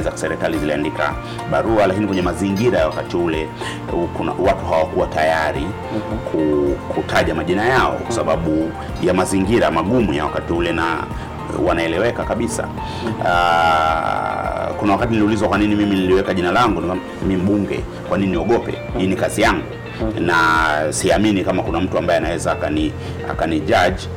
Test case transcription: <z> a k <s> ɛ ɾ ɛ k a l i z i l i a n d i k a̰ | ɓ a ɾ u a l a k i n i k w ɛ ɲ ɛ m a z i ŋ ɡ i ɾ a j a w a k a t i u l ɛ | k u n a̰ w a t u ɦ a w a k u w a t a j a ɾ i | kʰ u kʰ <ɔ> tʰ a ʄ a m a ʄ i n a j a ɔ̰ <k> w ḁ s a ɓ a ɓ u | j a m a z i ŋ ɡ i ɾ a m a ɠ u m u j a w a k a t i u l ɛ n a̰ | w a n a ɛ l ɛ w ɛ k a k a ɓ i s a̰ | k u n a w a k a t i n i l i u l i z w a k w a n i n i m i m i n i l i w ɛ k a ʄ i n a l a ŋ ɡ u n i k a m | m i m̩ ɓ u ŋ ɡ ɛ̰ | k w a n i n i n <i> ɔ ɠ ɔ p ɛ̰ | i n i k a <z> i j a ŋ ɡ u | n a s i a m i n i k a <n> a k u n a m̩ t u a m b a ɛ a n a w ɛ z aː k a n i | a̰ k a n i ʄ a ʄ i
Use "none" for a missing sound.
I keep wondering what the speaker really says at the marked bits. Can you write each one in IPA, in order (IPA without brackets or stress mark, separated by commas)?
z, s, u, k, i, z, m